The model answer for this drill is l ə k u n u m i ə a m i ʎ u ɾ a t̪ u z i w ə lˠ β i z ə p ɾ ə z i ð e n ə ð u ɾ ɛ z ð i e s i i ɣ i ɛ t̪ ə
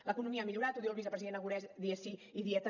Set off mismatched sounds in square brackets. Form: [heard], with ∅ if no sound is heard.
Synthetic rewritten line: l ə k u n u m i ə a m i ʎ u ɾ a t̪ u [ð] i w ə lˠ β i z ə p ɾ ə z i ð e n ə [ɣ] u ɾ ɛ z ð i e s i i [ð] i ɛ t̪ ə